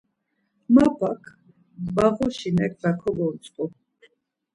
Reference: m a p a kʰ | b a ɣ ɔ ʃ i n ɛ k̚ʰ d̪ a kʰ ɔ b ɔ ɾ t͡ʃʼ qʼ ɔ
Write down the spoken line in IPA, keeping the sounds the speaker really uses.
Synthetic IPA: m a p a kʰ | b a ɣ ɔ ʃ i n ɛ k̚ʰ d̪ a kʰ ɔ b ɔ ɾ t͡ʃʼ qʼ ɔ